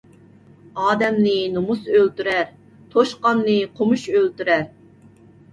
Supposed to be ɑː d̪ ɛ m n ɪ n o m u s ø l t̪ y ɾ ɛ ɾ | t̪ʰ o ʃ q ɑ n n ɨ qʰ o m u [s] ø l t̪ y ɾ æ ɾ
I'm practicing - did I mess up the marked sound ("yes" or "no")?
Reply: yes